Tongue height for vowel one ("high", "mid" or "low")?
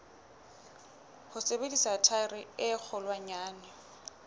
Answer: high